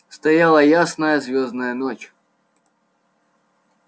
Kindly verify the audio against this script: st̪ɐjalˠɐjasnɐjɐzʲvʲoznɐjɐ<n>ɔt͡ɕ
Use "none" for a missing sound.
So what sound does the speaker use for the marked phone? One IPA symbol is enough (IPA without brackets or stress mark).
n